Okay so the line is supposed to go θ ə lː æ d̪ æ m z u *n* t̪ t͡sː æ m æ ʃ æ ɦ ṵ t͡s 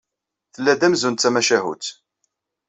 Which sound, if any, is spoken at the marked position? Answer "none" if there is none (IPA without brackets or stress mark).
n